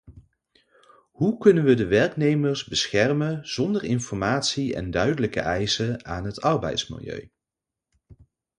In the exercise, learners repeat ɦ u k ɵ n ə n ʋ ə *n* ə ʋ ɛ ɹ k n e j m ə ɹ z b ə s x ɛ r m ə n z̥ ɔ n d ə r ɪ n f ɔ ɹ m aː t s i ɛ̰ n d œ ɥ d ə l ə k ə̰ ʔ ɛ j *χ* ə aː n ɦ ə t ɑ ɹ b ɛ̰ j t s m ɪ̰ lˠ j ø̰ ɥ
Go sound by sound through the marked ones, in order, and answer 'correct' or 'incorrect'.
incorrect: d, incorrect: s

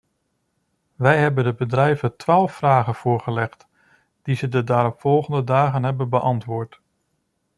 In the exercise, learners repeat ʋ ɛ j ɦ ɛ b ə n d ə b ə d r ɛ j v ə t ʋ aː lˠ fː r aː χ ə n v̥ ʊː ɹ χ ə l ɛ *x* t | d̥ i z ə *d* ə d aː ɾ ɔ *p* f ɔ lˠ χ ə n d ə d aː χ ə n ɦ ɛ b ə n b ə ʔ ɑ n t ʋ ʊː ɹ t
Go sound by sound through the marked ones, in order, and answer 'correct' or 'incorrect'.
incorrect: χ, correct, correct

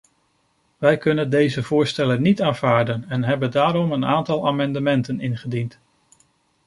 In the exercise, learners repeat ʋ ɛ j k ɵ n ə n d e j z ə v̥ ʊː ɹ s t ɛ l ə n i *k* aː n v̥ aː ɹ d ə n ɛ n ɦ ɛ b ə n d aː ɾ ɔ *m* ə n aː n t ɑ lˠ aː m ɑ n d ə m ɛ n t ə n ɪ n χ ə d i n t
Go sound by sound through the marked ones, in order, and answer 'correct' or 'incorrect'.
incorrect: t, correct

